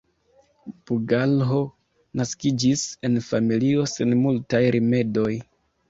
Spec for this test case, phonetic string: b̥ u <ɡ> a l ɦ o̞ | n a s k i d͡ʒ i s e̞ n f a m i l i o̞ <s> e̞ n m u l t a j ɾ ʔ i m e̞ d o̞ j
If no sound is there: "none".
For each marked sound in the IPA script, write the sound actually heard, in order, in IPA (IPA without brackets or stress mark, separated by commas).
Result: ɡ, s